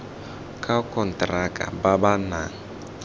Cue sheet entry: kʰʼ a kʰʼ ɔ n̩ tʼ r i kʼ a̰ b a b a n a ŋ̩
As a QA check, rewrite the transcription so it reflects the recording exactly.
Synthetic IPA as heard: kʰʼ a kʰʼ ɔ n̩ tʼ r a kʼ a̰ b a b a n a ŋ̩